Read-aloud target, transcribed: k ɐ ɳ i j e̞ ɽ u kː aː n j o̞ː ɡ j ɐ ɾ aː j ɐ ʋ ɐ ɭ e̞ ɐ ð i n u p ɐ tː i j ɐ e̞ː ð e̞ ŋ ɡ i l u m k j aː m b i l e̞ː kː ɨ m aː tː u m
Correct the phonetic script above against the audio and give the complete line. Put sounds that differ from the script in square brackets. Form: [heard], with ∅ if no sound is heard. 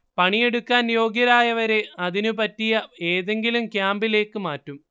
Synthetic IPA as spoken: [p] ɐ ɳ i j e̞ ɽ u kː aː n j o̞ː ɡ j ɐ ɾ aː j ɐ ʋ ɐ [ɾ] e̞ ɐ ð i n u p ɐ tː i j ɐ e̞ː ð e̞ ŋ ɡ i l u m k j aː m b i l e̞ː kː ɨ m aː tː u m